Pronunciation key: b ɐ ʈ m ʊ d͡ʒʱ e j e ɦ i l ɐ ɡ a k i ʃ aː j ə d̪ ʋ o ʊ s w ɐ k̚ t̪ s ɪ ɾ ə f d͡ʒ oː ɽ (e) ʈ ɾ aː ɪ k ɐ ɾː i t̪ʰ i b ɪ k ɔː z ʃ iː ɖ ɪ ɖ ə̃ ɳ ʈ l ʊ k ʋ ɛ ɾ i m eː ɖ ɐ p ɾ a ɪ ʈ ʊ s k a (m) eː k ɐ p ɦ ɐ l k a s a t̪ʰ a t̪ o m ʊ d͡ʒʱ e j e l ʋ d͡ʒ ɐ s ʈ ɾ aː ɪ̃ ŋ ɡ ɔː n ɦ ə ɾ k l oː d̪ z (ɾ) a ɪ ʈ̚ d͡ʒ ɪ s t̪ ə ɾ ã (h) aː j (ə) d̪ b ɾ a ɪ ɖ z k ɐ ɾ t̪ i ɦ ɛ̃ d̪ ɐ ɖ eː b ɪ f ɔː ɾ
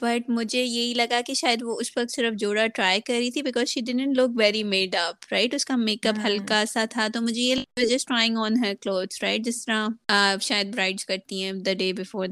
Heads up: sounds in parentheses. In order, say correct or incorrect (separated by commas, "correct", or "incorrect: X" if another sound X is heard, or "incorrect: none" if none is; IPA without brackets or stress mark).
incorrect: a, correct, correct, incorrect: ʃ, correct